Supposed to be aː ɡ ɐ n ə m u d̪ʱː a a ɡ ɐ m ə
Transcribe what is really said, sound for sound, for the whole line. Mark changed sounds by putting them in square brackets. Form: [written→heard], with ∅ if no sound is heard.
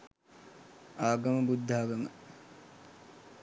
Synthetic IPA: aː ɡ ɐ [n→m] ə [m→b] u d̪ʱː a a ɡ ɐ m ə